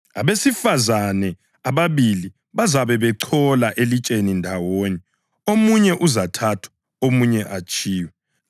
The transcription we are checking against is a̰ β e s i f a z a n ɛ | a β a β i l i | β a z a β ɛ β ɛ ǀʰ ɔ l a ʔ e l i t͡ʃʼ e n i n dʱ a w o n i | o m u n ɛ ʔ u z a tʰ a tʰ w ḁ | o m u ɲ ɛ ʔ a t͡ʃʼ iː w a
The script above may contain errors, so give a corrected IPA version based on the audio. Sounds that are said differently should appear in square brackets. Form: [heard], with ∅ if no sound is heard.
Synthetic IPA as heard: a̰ β e s i f a z a n ɛ | a β a β i l i | β a z a β ɛ β ɛ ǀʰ ɔ l a ʔ e l i t͡ʃʼ e n i n dʱ a w o n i | o m u [ɲ] ɛ ʔ u z a tʰ a tʰ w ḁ | o m u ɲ ɛ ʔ a t͡ʃʼ iː w [ɛ]